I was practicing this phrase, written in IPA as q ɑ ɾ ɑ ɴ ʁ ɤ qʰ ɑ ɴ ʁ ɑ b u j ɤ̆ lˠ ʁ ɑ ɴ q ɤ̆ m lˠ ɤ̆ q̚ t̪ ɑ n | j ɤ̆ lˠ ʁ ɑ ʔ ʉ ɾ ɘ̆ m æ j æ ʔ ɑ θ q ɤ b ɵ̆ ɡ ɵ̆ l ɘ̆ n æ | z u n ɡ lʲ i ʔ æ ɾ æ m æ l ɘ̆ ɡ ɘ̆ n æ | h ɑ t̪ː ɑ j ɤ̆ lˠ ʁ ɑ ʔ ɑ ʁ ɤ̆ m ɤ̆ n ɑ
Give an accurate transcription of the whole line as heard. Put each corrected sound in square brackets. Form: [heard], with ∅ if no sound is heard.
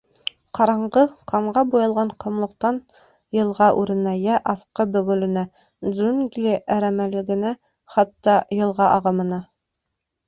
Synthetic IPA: q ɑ ɾ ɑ ɴ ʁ ɤ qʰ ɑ ɴ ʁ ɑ b u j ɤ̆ lˠ ʁ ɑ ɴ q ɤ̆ m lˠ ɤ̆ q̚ t̪ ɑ n | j ɤ̆ lˠ ʁ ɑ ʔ ʉ ɾ ɘ̆ [n] æ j æ ʔ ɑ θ q ɤ b ɵ̆ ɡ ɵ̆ l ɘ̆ n æ | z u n ɡ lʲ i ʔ æ ɾ æ m æ l ɘ̆ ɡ ɘ̆ n æ | [χ] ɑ t̪ː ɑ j ɤ̆ lˠ ʁ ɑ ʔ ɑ ʁ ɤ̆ m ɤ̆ n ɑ